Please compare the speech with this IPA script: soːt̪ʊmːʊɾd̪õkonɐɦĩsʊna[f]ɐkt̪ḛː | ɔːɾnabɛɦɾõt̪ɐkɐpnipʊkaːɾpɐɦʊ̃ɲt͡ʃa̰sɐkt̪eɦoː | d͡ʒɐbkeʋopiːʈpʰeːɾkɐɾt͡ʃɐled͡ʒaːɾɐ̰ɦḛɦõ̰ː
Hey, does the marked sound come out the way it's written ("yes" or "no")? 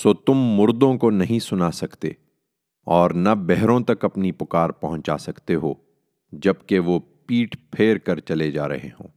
no